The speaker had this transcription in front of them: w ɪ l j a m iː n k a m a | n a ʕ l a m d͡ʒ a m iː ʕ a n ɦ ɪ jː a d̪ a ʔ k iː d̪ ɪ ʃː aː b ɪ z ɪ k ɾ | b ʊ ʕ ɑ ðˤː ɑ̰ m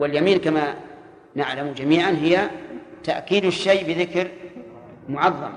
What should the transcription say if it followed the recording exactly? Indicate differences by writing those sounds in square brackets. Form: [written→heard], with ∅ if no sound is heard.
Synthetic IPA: w ɪ l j a m iː n k a m a | n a ʕ l a m d͡ʒ a m iː ʕ a n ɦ ɪ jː a [d̪→t̪] a ʔ k iː d̪ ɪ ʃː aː b ɪ [z→ð] ɪ k ɾ | [b→m] ʊ ʕ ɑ ðˤː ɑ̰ m